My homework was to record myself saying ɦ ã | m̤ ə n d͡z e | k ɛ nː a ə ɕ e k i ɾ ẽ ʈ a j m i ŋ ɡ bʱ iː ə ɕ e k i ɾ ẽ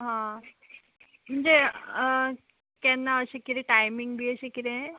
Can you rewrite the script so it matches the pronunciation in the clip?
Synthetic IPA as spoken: ɦ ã | m̤ ə ɳ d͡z e | k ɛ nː a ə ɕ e k i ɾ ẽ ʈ a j m i ŋ ɡ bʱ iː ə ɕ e k i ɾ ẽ